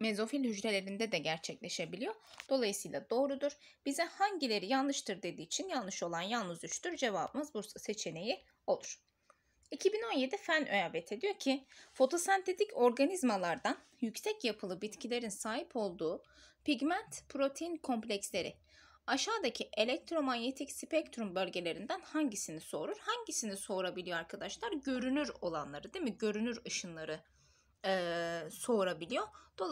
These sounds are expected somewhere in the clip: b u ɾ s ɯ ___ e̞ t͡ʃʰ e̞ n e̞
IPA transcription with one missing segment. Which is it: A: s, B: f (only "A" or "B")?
A